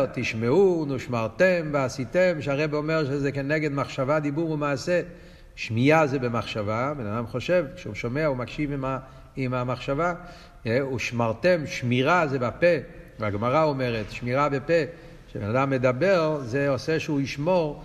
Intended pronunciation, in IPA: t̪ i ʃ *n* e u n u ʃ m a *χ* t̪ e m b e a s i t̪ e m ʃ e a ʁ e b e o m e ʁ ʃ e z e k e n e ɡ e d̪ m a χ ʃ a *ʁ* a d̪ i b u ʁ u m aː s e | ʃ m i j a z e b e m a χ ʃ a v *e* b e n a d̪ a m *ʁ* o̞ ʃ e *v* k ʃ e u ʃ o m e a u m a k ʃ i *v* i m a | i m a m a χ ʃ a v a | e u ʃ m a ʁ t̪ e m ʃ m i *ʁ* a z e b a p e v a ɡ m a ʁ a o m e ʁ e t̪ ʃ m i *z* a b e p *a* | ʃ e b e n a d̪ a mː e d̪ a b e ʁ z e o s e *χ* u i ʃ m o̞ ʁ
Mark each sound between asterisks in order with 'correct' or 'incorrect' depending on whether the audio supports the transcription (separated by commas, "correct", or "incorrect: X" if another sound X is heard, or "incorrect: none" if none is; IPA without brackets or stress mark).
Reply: incorrect: m, incorrect: ʁ, incorrect: v, incorrect: a, incorrect: χ, correct, correct, correct, incorrect: ʁ, incorrect: e, incorrect: ʃ